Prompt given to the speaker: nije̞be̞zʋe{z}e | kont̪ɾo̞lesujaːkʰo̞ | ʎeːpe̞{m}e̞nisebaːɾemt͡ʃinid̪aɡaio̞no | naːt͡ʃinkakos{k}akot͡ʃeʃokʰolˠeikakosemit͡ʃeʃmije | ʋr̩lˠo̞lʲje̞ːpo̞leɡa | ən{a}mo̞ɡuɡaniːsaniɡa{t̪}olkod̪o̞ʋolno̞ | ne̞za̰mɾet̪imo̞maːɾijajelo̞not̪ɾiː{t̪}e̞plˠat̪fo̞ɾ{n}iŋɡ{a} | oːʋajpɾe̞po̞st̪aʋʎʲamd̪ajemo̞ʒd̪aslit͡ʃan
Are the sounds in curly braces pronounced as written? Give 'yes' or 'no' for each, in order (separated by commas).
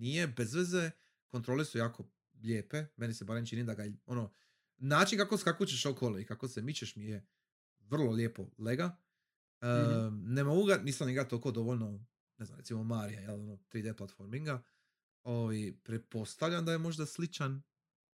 yes, yes, yes, no, yes, no, no, yes